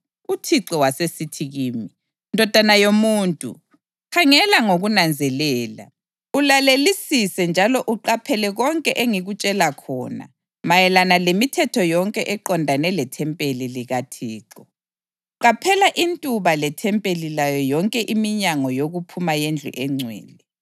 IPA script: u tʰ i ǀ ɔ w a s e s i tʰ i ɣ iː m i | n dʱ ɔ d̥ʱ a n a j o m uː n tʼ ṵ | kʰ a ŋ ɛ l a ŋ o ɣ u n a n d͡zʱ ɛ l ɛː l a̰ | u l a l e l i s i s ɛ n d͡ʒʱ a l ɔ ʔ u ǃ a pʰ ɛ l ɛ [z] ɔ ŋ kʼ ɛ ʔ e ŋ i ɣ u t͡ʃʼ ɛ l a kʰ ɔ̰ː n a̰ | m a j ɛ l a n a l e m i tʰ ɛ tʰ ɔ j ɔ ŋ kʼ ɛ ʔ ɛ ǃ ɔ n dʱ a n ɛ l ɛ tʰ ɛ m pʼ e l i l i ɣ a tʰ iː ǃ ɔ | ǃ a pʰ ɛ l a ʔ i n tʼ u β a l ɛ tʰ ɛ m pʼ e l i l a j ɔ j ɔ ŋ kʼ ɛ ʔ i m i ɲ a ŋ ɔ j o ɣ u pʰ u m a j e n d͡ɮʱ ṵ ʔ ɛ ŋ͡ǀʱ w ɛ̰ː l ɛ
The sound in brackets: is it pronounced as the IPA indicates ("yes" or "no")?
no